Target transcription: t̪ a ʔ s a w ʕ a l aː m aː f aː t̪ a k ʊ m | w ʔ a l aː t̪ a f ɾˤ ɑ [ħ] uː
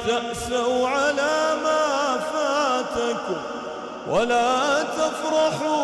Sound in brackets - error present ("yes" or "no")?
no